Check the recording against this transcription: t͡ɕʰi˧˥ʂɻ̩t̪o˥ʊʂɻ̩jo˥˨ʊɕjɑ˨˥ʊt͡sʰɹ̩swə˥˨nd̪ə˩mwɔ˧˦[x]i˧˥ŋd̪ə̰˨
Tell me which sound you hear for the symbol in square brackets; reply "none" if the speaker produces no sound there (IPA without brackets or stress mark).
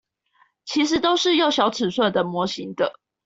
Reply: ɕ